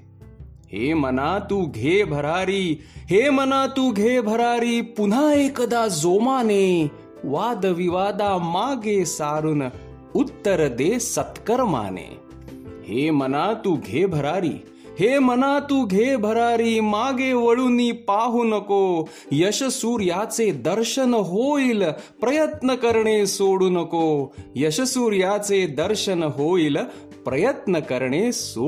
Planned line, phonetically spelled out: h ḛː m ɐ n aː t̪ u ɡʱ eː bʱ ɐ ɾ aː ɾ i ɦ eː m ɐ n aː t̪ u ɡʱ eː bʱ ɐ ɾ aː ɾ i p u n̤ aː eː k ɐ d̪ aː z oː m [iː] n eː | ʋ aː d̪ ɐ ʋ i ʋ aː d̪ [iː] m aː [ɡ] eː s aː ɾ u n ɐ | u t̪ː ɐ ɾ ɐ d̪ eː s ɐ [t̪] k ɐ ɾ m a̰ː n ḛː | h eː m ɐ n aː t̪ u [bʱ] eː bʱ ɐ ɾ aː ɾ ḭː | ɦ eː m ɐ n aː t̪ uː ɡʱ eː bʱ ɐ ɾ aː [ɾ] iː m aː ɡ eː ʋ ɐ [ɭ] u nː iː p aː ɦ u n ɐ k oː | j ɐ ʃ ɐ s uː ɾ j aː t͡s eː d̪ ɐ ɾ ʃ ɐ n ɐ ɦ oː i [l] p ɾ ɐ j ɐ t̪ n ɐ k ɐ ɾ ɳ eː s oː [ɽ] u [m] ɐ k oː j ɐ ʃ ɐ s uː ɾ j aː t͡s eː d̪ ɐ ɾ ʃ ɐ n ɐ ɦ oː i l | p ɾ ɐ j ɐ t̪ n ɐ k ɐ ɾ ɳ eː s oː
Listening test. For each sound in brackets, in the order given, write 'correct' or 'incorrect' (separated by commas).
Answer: incorrect, incorrect, correct, correct, incorrect, correct, correct, correct, correct, incorrect